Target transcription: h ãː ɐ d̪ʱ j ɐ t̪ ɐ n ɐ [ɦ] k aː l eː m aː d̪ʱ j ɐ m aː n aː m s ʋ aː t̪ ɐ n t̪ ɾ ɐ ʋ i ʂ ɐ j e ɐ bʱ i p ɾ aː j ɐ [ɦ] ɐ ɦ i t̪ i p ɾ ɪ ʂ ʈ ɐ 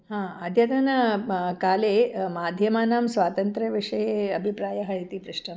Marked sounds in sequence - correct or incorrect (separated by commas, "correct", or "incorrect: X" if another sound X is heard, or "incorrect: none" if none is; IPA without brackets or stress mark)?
incorrect: none, correct